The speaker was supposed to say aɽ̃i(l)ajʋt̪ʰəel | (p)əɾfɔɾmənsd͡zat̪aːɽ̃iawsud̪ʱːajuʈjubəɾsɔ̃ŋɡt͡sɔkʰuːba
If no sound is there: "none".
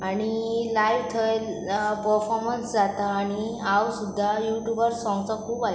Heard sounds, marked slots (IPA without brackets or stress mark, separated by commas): l, p